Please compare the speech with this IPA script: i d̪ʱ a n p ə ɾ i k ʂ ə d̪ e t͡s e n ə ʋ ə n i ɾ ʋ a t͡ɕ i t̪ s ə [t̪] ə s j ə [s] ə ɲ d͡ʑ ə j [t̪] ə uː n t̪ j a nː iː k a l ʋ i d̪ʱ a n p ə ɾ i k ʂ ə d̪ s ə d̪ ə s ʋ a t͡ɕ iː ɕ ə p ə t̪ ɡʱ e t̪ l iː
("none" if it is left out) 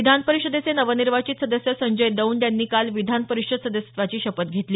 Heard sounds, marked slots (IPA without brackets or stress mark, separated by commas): d̪, s, d̪